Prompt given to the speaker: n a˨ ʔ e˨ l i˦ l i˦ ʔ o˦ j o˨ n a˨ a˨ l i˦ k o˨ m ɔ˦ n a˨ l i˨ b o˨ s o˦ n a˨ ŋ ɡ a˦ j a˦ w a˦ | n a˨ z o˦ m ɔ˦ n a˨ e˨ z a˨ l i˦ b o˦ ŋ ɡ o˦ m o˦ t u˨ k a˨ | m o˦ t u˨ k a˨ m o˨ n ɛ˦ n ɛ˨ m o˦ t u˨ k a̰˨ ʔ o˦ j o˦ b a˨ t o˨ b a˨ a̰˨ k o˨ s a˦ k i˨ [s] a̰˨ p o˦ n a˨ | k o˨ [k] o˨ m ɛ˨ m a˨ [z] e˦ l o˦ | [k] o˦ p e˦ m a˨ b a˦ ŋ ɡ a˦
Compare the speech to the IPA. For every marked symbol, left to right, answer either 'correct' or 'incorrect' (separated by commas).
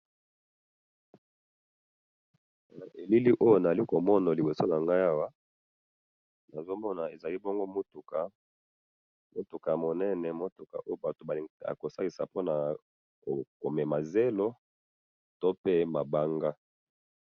correct, correct, correct, incorrect